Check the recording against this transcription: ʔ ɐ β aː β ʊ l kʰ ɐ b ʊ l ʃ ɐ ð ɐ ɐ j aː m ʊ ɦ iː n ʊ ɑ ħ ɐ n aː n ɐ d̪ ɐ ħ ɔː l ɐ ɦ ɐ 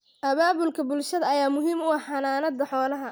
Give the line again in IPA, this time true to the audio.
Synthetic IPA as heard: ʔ ɐ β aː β ʊ l kʰ ɐ b ʊ l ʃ ɐ ð ɐ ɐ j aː m ʊ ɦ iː m ʊ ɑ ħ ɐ n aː n ɐ d̪ ɐ ħ ɔː l ɐ ɦ ɐ